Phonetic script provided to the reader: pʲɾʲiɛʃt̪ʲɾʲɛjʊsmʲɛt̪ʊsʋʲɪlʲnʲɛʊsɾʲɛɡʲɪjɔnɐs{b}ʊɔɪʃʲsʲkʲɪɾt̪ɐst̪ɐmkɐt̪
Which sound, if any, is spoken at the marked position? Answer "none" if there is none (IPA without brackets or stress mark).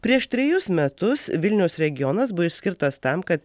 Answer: b